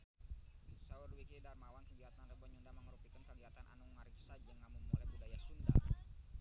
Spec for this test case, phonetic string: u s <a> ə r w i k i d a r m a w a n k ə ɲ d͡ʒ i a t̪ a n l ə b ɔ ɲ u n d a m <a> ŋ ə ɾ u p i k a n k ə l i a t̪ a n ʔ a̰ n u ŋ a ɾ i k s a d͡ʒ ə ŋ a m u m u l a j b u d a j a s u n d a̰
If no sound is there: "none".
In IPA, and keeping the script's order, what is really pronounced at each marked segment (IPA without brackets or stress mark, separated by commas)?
a, ə